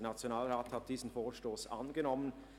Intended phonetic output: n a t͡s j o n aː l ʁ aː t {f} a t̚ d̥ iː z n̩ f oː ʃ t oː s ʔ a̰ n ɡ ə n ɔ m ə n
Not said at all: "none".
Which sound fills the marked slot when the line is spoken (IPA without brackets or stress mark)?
h